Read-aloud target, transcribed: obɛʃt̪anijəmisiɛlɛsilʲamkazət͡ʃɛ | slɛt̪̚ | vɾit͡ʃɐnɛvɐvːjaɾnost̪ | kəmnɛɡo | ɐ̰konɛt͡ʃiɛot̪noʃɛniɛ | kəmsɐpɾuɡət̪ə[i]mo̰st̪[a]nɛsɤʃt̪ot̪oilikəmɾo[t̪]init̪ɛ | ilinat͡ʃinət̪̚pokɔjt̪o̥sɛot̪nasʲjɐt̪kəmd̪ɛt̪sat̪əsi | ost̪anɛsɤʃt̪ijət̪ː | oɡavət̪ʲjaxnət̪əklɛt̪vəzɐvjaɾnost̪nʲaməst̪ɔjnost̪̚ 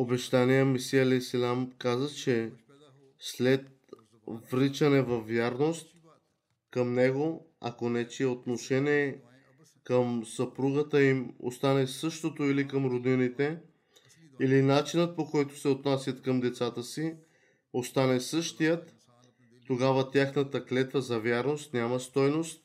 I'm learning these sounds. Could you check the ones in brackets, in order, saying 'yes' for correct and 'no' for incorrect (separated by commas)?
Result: yes, yes, no